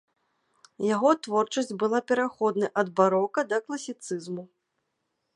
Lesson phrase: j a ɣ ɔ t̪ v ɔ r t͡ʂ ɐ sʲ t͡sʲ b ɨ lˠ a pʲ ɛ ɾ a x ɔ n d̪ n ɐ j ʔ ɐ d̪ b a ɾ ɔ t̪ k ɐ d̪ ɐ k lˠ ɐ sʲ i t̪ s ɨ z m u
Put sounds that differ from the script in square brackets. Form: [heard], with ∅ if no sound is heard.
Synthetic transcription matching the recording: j a ɣ ɔ t̪ v ɔ r t͡ʂ ɐ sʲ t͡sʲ b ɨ lˠ a pʲ ɛ ɾ a x ɔ [∅] d̪ n ɐ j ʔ ɐ d̪ b a ɾ ɔ [∅] k ɐ d̪ ɐ k lˠ ɐ sʲ i t̪ s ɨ z m u